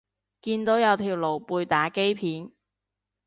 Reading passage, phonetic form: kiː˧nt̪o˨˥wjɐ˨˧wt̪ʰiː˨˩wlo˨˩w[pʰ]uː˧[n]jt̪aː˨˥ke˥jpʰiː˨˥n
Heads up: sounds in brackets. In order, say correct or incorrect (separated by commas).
incorrect, incorrect